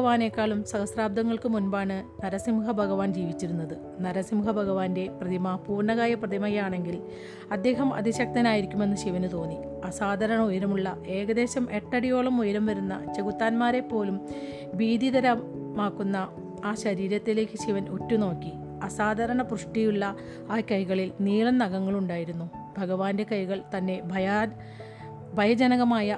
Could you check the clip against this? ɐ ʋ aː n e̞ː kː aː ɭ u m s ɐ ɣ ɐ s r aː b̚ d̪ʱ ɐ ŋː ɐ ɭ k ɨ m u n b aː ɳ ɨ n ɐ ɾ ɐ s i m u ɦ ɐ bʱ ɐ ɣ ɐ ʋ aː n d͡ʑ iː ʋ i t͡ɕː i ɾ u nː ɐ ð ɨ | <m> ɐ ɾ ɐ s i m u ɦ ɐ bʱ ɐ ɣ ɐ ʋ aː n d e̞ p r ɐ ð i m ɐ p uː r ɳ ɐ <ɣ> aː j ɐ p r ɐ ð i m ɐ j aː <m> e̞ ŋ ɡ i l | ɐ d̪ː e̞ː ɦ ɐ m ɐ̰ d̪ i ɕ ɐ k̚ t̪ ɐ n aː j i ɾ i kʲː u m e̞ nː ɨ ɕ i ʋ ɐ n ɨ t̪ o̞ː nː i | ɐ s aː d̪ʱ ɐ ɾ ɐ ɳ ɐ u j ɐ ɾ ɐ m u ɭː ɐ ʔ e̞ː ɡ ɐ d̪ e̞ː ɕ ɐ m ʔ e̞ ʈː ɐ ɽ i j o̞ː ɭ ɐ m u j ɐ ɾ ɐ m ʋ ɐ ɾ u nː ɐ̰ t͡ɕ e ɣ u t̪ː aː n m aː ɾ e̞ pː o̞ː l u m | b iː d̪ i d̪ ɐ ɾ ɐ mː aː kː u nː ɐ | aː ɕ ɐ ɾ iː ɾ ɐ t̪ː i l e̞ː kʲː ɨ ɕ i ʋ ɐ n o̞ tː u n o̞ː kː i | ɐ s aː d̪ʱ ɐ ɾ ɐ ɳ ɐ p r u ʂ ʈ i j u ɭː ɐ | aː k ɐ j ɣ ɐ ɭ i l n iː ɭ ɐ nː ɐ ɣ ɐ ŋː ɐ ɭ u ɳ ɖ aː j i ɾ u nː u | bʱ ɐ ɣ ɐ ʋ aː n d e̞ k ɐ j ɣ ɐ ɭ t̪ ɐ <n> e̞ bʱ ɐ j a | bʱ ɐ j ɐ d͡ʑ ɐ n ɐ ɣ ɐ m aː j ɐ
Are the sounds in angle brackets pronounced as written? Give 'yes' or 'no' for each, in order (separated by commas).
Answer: no, yes, no, no